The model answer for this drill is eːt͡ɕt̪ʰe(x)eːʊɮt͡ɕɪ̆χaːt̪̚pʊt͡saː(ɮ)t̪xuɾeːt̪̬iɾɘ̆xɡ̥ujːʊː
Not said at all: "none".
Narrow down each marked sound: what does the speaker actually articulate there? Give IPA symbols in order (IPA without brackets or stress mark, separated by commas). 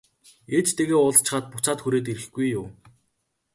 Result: ɣ, none